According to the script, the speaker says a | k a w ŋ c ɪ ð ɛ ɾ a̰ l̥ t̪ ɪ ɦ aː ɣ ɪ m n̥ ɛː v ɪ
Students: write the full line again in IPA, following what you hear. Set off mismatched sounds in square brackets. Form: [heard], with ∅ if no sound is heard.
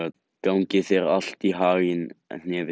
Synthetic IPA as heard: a | k a w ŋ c ɪ [θ] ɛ ɾ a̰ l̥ t̪ [i] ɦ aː ɣ ɪ [n] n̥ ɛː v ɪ